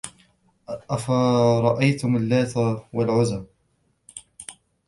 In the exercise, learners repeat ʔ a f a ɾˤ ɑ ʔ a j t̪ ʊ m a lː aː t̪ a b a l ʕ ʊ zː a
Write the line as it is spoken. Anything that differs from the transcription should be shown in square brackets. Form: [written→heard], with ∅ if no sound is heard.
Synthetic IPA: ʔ a f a ɾˤ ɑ ʔ a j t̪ ʊ m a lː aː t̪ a [b→w] a l ʕ ʊ [zː→z] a